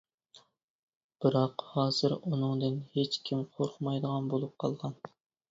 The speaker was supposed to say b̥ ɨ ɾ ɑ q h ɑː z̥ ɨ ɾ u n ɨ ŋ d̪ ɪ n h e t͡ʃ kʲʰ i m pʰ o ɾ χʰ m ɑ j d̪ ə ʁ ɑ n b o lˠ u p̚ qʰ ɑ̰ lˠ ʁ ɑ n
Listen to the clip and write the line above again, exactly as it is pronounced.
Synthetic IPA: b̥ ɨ ɾ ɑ q h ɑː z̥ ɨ ɾ u n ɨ ŋ d̪ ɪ n h e t͡ʃ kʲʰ i m qʰ o ɾ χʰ m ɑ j d̪ ə ʁ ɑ n b o lˠ u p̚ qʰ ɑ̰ lˠ ʁ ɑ n